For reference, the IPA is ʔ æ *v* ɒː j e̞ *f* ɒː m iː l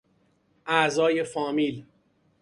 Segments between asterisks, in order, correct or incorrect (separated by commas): incorrect, correct